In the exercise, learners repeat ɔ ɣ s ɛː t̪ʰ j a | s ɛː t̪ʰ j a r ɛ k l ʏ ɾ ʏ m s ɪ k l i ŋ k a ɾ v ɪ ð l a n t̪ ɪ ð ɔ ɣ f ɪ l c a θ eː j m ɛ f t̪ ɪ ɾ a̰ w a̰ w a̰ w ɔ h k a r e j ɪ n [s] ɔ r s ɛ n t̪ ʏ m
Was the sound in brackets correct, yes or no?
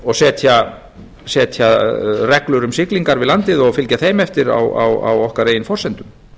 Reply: no